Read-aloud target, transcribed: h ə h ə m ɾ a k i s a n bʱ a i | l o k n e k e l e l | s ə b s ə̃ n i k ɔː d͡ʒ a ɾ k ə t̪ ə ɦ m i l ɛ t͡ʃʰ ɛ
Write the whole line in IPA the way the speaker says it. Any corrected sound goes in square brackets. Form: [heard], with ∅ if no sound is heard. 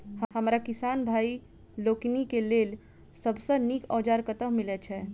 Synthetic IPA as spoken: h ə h ə m ɾ a k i s a n bʱ a i | l o k n [i] k e l e l | s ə b s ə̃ n i k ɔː d͡ʒ a ɾ k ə t̪ ə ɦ m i l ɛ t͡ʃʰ ɛ